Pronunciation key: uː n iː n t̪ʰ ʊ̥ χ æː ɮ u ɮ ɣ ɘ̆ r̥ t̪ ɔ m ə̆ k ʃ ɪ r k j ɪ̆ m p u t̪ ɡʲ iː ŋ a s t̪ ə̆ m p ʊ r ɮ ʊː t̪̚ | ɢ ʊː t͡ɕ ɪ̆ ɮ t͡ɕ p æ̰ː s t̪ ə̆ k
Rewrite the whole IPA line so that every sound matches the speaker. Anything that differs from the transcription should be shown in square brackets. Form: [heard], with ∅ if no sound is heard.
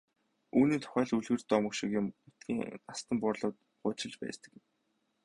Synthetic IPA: uː n iː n t̪ʰ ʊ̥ χ æː ɮ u ɮ ɣ ɘ̆ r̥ t̪ ɔ m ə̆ k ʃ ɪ [∅] k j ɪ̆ m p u t̪ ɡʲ iː ŋ a s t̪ ə̆ m p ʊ r ɮ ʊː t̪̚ | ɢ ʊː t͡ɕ ɪ̆ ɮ t͡ɕ p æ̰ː s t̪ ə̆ k